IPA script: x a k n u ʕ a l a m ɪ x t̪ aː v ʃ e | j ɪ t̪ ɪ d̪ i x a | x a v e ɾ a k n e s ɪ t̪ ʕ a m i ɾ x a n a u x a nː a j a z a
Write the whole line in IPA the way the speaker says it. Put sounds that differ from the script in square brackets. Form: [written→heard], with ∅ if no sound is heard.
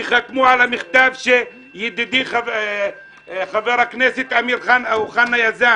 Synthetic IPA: x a k [n→m] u ʕ a l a m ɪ x t̪ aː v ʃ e | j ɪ [t̪→d̪] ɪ d̪ i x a | x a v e ɾ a k n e s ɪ t̪ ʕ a m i ɾ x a n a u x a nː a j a z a